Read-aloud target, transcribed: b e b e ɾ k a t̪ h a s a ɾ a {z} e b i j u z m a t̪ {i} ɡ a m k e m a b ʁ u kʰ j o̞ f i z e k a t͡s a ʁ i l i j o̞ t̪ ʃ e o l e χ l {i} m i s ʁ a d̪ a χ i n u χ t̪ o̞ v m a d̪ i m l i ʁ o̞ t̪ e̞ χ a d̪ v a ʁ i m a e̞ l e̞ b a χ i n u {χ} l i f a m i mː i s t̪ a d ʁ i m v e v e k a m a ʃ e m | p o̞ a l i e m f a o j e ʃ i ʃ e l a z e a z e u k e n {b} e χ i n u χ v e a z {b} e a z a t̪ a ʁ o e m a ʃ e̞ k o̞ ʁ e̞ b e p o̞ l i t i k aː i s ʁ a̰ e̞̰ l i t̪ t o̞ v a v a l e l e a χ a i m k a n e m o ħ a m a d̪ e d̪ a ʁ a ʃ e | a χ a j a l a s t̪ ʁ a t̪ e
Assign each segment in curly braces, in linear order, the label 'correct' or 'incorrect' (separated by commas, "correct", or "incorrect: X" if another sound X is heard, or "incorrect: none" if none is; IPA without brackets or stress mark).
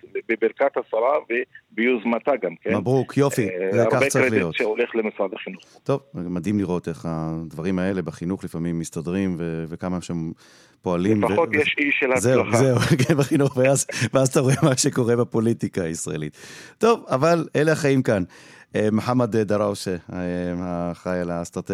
incorrect: v, incorrect: a, incorrect: e, correct, correct, incorrect: v